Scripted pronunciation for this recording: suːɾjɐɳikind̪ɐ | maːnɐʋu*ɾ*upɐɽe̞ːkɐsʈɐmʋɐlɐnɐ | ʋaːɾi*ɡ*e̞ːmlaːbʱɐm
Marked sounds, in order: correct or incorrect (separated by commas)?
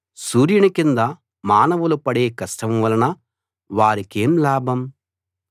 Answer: incorrect, incorrect